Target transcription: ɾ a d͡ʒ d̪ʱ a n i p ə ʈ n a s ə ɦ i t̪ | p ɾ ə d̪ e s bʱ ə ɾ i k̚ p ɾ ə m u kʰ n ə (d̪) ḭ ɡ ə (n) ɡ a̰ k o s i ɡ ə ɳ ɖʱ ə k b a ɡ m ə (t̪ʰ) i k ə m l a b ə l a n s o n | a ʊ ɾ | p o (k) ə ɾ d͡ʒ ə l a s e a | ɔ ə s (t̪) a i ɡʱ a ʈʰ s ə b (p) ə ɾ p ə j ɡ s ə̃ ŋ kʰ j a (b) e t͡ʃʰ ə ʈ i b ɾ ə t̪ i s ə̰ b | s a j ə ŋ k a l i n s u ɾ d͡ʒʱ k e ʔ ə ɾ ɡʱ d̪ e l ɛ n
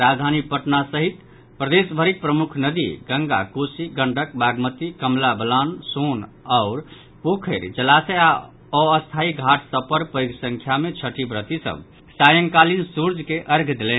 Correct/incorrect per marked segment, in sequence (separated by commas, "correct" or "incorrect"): correct, incorrect, incorrect, incorrect, incorrect, correct, incorrect